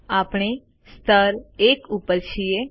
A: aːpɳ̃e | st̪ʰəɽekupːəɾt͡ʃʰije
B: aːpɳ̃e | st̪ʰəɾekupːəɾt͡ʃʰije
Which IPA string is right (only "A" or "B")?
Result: B